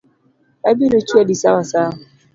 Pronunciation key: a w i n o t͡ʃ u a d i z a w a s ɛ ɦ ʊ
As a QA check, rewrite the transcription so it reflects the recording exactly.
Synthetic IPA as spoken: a b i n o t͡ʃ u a d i s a w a s a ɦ ʊ